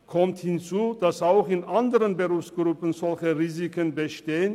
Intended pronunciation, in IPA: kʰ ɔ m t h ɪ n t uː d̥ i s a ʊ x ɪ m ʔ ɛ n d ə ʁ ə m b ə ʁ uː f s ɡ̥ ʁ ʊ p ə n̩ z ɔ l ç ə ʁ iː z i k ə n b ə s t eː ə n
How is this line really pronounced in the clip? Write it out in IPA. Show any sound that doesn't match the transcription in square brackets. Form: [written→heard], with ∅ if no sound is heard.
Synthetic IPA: kʰ ɔ m t h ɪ n [t→t͡s] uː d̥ [i→a] s a ʊ x ɪ [m→n] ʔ [ɛ→a] n d ə ʁ ə [m→n] b ə ʁ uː f s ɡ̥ ʁ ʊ p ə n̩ z ɔ l ç ə ʁ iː z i k ə n b ə [s→ʃ] t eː ə n